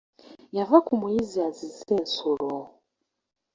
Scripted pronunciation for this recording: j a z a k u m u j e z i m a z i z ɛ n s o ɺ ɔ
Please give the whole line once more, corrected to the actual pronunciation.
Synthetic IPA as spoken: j a v a k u m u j i z i a z i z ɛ n s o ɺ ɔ